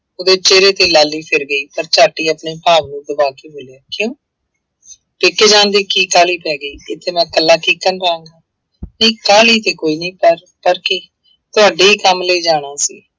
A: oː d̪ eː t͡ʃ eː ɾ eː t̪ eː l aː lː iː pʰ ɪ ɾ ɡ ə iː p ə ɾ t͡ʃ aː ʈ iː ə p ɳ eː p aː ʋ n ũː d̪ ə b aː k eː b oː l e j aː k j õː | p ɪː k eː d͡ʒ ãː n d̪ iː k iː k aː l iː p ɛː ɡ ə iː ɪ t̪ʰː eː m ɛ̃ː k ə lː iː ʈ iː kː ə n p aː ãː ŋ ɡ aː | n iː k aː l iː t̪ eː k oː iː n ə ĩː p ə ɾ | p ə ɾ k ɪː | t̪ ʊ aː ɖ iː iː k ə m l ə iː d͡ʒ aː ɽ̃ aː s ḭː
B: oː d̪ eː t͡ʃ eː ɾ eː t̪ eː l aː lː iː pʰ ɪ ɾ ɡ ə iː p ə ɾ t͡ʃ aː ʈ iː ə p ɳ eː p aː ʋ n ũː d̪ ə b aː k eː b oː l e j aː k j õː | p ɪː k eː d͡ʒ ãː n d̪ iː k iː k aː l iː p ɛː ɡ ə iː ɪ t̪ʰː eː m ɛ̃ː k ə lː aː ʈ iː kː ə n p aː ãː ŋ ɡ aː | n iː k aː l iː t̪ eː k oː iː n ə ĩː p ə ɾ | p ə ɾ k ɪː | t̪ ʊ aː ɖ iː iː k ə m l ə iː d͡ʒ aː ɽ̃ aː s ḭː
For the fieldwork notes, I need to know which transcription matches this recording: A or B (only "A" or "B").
B